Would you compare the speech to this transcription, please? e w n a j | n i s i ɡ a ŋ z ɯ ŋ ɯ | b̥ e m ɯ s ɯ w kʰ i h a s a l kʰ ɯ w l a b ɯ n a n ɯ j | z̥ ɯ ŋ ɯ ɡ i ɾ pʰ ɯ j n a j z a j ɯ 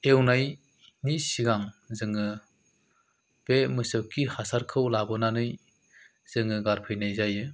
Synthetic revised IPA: e w n a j | n i s i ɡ a ŋ z ɯ ŋ ɯ | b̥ e m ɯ s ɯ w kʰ i h a s a ɾ kʰ ɯ w l a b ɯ n a n ɯ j | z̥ ɯ ŋ ɯ ɡ a ɾ pʰ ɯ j n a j z a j ɯ

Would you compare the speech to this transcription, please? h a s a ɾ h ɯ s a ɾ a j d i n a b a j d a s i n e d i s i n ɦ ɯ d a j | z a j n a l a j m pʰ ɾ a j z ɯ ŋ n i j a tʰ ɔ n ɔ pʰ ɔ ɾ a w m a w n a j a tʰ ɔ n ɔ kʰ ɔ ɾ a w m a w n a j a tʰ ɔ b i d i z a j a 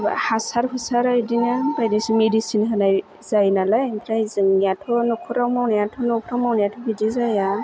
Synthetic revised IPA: h a s a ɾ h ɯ s a ɾ a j d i n a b a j d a s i m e d i s i n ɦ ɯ n a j | z a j n a l a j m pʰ ɾ a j z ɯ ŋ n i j a tʰ ɔ n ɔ kʰ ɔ ɾ a w m a w n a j a tʰ ɔ n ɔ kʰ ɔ ɾ a w m a w n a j a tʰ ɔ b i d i z a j a

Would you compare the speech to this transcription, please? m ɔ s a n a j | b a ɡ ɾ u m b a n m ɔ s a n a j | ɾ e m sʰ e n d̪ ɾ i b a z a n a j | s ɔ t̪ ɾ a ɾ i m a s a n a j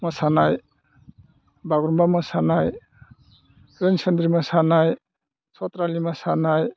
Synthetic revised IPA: m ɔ s a n a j | b a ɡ ɾ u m b a m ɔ s a n a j | ɾ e n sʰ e n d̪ ɾ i m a s a n a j | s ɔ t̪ ɾ a l i m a s a n a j

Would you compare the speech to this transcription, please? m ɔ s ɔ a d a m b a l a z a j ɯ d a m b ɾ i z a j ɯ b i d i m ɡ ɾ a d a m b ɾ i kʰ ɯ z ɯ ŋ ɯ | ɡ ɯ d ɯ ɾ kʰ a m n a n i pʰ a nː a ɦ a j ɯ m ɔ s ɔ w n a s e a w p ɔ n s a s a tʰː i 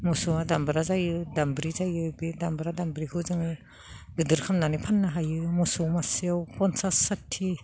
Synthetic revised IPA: m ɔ s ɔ a d a m b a ɾ a z a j ɯ d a m b ɾ i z a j ɯ b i d a m b ɾ a d a m b ɾ i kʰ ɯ z ɯ ŋ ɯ | ɡ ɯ d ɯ ɾ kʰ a m n a n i pʰ a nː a ɦ a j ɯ m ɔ s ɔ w m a s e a w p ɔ n s a s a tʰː i

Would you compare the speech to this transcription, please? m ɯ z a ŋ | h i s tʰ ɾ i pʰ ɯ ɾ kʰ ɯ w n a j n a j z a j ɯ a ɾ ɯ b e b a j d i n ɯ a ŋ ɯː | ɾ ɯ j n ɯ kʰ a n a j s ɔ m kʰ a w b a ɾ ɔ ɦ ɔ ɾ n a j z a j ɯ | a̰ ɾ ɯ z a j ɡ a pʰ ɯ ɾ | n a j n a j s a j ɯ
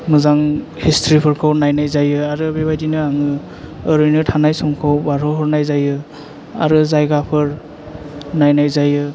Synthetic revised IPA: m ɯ z a ŋ | h i s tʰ ɾ i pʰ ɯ ɾ kʰ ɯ w n a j n a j z a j ɯ a ɾ ɯ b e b a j d i n ɯ a ŋ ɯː | ɾ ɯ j n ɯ tʰ a n a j s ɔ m kʰ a w b a ɾ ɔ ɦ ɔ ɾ n a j z a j ɯ | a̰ ɾ ɯ z a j ɡ a pʰ ɯ ɾ | n a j n a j z a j ɯ

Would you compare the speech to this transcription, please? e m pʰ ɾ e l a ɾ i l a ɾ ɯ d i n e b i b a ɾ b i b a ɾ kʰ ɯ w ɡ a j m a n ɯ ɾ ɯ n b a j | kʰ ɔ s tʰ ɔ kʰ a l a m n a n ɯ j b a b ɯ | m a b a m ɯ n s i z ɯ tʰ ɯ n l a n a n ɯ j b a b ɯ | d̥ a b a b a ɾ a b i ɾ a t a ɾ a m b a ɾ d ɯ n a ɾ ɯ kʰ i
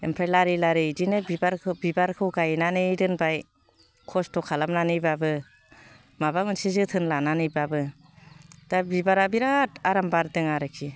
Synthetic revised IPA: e m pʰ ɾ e l a ɾ i l a ɾ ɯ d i n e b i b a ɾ b i b a ɾ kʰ ɯ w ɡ a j n a n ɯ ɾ ɯ n b a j | kʰ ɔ s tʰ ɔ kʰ a l a m n a n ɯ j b a b ɯ | m a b a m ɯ n s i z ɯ tʰ ɯ n l a n a n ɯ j b a b ɯ | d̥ a b i b a ɾ a b i ɾ a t a ɾ a m b a ɾ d ɯ ŋ a ɾ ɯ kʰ i

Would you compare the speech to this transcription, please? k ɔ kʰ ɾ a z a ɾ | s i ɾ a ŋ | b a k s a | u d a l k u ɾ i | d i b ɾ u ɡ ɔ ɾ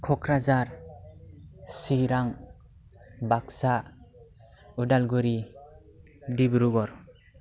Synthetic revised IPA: kʰ ɔ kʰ ɾ a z a ɾ | s i ɾ a ŋ | b a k s a | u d a l ɡ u ɾ i | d i b ɾ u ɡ ɔ ɾ

